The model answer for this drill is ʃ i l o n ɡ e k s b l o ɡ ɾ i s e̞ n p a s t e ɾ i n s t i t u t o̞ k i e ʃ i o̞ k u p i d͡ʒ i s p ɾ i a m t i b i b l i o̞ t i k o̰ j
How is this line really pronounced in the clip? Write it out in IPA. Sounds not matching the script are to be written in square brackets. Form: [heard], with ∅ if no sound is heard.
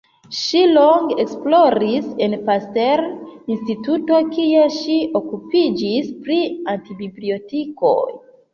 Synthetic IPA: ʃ i l o [ŋ] ɡ e k s [p] l o [∅] ɾ i s e̞ n p a s t e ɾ i n s t i t u t o̞ k i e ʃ i o̞ k u p i d͡ʒ i s p ɾ i a [n] t i b i b l i o̞ t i k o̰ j